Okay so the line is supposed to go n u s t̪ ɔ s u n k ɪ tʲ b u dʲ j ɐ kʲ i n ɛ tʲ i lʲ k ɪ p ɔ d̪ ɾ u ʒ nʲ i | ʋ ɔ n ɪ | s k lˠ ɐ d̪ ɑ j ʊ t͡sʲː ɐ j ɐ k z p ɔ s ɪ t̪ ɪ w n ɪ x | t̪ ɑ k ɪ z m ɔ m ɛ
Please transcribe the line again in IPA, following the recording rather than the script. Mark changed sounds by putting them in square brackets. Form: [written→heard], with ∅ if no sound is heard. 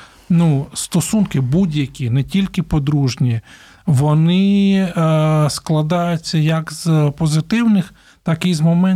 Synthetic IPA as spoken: n u s t̪ ɔ s u n k ɪ [tʲ→∅] b u dʲ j ɐ kʲ i n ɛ tʲ i lʲ k ɪ p ɔ d̪ ɾ u ʒ nʲ i | ʋ ɔ n ɪ | s k lˠ ɐ d̪ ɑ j ʊ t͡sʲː ɐ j ɐ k z p ɔ [s→z] ɪ t̪ ɪ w n ɪ x | t̪ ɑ k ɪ z m ɔ m ɛ